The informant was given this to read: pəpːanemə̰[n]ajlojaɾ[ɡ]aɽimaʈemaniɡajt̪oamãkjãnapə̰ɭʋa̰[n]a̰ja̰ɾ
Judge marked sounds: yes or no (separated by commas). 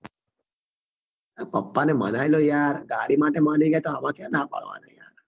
yes, yes, yes